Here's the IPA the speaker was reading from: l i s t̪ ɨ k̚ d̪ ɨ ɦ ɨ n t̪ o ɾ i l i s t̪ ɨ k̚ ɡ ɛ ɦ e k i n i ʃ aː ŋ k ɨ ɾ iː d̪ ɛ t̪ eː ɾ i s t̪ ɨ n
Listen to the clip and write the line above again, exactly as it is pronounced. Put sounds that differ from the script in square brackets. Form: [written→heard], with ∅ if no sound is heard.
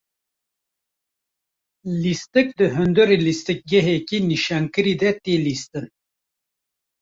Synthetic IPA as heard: l i s t̪ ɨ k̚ d̪ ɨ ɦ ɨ n [t̪→d̪] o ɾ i l i s t̪ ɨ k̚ ɡ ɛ ɦ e k i n i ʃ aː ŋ k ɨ ɾ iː d̪ ɛ t̪ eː [ɾ→l] i s t̪ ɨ n